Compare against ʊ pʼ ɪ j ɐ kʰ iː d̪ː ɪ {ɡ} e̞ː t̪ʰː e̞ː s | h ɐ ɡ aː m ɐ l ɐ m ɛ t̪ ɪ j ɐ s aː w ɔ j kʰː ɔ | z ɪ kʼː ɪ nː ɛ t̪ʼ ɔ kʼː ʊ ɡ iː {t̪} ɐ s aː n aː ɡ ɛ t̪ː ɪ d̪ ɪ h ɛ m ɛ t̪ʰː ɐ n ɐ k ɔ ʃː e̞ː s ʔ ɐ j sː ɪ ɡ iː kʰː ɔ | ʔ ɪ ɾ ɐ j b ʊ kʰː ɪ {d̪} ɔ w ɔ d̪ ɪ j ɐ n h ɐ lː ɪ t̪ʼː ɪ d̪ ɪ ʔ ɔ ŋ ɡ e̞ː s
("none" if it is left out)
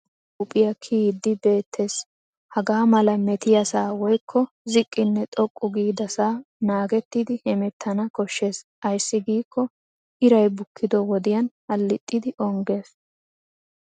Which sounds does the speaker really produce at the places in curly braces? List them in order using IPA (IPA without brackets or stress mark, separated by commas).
b, d̪, d̪